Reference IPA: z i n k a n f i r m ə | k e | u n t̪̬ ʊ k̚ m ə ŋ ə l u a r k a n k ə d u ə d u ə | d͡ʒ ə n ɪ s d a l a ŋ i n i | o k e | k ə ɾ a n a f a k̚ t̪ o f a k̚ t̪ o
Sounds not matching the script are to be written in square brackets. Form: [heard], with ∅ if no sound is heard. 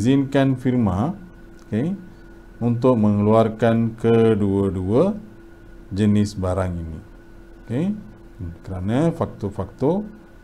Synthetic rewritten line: z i n k a n f i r m [a] | k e | u n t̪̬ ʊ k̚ m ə ŋ ə l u a r k a n k ə d u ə d u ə | d͡ʒ ə n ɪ s [b] a [ɾ] a ŋ i n i | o k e | k ə ɾ a n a f a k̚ t̪ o f a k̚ t̪ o